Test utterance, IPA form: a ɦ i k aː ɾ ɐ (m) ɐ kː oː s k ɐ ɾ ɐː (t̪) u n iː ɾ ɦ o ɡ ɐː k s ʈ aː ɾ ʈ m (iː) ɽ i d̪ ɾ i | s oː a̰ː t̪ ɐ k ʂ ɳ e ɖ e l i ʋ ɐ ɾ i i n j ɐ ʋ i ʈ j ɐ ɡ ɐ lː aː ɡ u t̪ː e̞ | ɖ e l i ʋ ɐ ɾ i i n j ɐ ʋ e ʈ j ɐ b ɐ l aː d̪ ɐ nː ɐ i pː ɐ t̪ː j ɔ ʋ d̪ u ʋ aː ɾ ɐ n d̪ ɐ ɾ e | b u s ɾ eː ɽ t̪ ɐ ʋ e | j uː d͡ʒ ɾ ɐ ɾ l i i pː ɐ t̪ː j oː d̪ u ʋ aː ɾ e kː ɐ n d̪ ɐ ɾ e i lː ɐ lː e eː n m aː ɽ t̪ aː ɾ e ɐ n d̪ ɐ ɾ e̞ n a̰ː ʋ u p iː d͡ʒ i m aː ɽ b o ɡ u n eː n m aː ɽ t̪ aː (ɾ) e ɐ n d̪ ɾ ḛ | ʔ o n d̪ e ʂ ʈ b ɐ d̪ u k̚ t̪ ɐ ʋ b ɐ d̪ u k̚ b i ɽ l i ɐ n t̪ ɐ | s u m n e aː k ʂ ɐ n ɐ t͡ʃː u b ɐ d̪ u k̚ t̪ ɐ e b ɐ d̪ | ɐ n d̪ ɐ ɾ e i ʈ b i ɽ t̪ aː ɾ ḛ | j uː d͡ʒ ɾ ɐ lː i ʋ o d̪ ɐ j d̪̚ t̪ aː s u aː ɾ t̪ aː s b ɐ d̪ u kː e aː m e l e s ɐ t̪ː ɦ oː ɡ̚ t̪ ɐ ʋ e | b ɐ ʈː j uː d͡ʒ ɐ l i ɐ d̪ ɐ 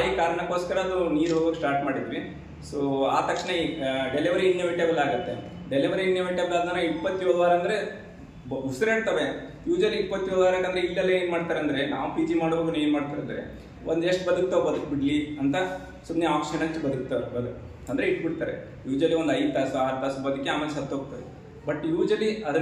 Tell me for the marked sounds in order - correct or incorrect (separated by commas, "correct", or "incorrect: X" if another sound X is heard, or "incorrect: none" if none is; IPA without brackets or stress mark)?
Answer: incorrect: ɳ, incorrect: d̪, incorrect: aː, correct